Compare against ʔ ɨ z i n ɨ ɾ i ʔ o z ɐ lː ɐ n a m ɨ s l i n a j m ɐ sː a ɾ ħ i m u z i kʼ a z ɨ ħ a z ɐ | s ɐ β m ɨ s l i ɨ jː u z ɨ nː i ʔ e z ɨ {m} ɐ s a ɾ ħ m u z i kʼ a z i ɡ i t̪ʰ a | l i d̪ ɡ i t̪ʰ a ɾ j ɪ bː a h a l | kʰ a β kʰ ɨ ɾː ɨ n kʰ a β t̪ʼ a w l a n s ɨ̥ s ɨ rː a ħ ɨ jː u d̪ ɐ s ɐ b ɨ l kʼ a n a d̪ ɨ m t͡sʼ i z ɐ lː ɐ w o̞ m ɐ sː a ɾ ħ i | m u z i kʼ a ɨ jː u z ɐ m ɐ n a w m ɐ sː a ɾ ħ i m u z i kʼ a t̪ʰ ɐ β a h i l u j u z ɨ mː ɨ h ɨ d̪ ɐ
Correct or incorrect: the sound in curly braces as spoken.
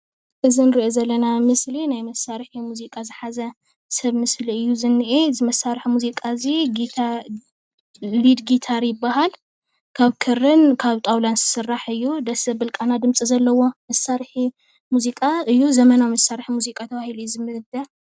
correct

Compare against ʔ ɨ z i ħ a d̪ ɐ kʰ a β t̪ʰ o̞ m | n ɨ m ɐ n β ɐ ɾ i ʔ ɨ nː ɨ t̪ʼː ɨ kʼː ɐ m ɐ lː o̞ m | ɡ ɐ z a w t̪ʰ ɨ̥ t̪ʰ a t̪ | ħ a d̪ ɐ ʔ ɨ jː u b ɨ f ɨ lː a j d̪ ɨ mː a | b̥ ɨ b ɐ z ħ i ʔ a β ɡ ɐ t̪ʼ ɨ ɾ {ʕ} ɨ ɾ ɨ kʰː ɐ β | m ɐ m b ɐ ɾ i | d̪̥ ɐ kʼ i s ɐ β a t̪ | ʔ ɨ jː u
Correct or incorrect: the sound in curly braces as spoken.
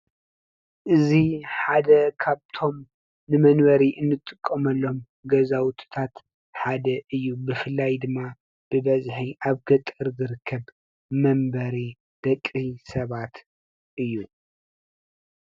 incorrect: z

